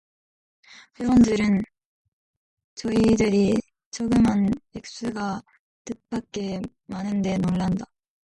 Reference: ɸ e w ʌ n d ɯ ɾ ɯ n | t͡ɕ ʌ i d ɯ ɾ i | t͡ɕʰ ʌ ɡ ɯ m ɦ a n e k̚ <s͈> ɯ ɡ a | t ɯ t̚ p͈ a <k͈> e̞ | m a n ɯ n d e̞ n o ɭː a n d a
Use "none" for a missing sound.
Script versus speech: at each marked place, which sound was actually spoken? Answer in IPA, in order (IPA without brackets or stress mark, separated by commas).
s͈, k͈